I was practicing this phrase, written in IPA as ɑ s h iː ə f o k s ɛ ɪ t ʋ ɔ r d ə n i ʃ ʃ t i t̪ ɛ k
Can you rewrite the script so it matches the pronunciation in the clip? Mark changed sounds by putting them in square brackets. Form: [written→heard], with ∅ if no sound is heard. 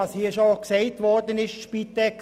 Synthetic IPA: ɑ s h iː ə [f→ʃ] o k s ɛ ɪ t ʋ ɔ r d ə n [i→ɪ] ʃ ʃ [t→p] i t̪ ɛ k